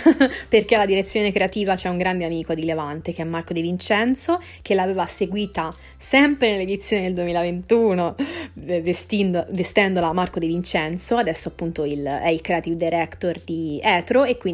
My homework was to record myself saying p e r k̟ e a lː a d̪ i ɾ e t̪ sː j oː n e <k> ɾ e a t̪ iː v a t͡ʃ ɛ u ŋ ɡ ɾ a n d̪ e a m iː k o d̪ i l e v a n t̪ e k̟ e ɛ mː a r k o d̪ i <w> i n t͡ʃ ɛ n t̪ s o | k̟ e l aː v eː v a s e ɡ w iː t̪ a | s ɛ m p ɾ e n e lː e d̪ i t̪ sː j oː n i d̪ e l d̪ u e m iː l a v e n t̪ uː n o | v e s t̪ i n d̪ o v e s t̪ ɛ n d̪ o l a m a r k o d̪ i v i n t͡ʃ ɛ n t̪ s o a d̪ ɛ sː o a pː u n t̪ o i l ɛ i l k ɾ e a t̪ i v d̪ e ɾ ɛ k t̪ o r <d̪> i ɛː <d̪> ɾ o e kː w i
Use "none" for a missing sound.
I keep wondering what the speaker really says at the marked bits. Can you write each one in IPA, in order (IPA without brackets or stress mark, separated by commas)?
k, v, d̪, t̪